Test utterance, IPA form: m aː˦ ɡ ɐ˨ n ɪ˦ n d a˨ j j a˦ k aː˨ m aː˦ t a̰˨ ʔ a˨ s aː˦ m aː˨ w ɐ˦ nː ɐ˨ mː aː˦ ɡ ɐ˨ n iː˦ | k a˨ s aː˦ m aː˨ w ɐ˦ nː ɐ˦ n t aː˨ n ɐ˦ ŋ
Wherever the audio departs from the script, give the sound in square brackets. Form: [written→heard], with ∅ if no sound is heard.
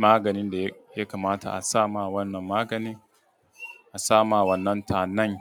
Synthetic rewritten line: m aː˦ ɡ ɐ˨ n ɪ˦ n d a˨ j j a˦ k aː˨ m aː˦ t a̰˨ ʔ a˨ s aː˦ m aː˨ w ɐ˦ nː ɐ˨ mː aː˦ ɡ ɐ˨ n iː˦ | [k→ʔ] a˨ s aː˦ m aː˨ w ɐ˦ nː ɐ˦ n t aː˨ n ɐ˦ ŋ